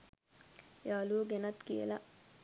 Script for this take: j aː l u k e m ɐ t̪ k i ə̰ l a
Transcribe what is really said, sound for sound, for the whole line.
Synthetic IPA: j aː l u ɡ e n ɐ t̪ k i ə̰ l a